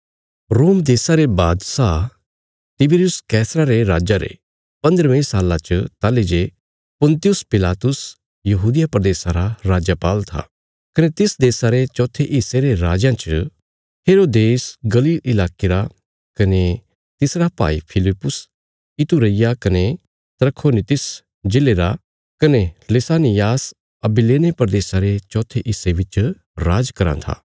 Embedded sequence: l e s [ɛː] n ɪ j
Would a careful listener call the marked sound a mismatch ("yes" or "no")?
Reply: yes